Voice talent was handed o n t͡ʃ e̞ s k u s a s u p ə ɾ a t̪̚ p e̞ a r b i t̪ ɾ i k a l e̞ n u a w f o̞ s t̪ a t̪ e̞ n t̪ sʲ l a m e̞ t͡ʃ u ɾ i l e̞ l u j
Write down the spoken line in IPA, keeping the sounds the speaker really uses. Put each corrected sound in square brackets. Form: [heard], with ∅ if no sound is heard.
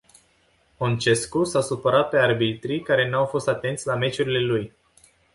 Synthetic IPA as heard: o n t͡ʃ e̞ s k u s a s u p ə ɾ a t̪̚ p e̞ a r b i t̪ ɾ i k a [ɾ] e̞ n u a w f o̞ s t̪ a t̪ e̞ n t̪ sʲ l a m e̞ t͡ʃ u ɾ i l e̞ l u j